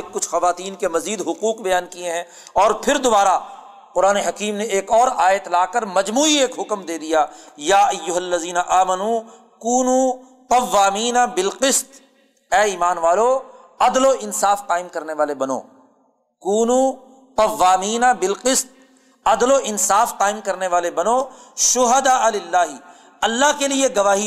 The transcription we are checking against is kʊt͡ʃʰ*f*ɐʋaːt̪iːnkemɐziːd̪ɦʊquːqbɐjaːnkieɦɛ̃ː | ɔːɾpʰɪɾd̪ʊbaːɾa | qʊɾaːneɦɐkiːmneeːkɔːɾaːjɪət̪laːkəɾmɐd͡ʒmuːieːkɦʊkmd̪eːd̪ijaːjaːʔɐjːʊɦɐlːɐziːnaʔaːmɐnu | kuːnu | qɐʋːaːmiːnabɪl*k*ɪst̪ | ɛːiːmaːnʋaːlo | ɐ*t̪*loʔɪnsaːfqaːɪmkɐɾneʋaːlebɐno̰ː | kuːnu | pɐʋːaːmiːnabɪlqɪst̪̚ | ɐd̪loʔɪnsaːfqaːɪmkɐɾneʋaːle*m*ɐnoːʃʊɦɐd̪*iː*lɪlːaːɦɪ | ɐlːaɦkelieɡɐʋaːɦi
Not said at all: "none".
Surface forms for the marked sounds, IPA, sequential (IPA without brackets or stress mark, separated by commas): x, q, d̪, b, aː